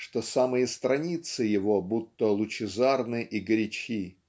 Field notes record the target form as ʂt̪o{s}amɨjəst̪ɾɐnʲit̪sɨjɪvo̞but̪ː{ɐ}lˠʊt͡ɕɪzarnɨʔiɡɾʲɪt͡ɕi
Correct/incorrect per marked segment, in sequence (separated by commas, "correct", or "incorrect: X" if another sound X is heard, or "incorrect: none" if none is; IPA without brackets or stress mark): correct, incorrect: ə